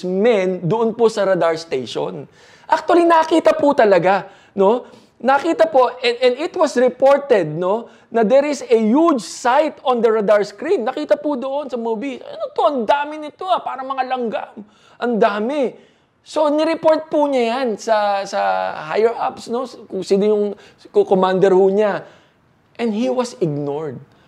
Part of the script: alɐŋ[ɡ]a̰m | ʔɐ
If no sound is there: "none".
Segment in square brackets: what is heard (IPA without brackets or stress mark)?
ɡ